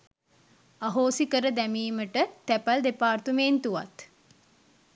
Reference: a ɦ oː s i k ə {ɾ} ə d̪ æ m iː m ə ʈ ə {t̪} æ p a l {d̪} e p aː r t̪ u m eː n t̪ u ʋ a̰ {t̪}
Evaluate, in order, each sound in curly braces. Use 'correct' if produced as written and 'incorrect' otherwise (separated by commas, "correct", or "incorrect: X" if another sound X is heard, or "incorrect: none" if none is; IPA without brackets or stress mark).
correct, correct, correct, correct